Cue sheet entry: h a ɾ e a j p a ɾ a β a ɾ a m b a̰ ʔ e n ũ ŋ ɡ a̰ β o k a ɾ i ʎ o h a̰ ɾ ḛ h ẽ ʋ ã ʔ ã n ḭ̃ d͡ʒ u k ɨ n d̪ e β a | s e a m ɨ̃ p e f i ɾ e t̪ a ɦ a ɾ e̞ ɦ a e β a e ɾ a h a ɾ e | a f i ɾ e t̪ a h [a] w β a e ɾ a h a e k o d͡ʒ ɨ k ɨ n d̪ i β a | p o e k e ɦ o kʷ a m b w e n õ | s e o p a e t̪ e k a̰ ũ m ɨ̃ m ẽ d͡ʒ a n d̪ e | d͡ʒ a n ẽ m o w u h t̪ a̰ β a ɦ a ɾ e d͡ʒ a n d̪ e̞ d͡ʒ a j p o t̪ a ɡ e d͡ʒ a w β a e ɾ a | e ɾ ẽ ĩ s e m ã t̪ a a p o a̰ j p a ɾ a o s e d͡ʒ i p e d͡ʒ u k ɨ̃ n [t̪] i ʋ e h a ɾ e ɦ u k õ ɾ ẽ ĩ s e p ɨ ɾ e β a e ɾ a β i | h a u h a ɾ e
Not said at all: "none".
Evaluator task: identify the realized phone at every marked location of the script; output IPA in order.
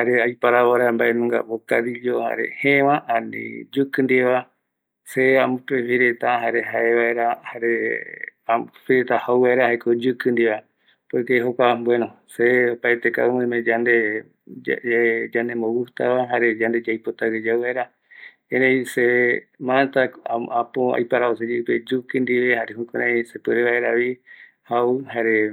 a, d̪

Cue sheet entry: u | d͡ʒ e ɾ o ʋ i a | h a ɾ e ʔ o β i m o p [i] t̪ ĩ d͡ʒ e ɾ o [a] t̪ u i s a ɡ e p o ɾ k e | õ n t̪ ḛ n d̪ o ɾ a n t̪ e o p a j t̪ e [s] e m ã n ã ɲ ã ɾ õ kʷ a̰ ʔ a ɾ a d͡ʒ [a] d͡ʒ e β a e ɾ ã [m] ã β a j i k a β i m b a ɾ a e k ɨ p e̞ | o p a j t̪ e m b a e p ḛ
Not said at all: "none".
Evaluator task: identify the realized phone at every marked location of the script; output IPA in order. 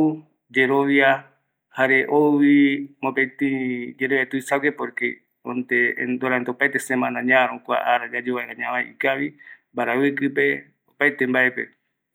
e, e, s, a, ɲ

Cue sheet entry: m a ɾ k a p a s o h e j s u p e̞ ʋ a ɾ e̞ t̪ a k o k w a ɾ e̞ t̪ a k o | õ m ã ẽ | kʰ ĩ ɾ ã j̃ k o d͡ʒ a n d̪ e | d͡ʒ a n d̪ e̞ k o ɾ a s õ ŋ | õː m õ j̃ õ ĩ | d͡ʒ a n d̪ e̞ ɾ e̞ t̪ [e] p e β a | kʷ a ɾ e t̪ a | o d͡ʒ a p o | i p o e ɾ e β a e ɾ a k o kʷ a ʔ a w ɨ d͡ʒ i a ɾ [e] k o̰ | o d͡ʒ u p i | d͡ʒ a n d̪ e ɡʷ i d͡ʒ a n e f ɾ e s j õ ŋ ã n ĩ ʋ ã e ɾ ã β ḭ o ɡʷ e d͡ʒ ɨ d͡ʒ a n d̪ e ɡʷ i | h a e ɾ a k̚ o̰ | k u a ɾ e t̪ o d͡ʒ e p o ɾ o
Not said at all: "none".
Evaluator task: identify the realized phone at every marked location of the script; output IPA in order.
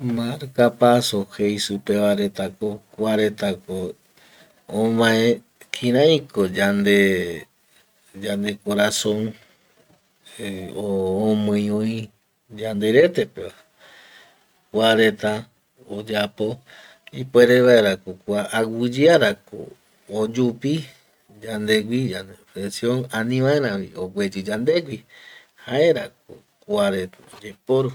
e, a

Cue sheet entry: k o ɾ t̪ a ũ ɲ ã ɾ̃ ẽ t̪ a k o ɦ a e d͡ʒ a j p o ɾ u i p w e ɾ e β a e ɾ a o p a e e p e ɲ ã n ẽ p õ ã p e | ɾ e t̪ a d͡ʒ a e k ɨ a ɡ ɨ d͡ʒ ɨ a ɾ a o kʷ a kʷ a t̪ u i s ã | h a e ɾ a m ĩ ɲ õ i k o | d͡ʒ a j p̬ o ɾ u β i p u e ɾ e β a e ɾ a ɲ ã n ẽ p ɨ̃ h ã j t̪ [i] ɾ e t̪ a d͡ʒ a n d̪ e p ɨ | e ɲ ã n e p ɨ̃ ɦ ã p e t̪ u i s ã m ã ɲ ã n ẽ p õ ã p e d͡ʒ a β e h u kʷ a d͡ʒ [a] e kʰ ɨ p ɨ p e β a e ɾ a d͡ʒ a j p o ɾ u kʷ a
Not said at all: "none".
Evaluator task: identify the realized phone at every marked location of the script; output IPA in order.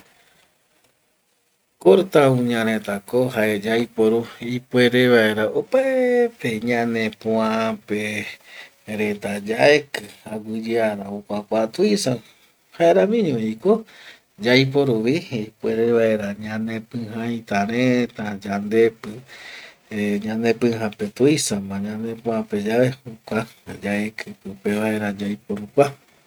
a, a

